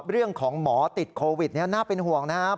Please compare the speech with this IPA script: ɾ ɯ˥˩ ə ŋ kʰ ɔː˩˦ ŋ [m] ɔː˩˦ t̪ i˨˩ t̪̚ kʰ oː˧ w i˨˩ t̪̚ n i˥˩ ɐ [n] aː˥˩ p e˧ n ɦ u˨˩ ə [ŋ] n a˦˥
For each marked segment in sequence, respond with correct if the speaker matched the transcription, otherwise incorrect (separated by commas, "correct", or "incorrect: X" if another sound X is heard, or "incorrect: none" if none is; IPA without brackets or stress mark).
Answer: correct, correct, correct